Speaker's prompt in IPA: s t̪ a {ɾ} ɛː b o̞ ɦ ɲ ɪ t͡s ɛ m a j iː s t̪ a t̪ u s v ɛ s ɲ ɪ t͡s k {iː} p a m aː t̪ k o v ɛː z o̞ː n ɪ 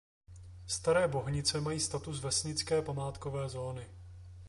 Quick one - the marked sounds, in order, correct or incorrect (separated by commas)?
correct, incorrect